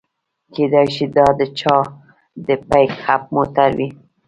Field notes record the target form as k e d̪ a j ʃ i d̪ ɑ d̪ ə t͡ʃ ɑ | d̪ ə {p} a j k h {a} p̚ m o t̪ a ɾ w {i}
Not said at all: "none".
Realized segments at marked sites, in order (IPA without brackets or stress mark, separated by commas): p, a, i